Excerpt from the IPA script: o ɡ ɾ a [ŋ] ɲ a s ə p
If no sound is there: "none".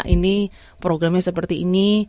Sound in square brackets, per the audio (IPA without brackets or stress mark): m